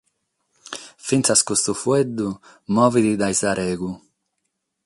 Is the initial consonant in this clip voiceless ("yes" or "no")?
yes